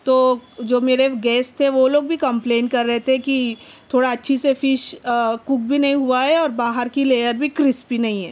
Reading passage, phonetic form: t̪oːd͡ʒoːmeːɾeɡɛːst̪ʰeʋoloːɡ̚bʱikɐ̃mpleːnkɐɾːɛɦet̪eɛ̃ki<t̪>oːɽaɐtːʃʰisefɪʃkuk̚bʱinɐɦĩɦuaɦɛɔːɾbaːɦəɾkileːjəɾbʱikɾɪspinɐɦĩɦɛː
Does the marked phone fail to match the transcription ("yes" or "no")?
yes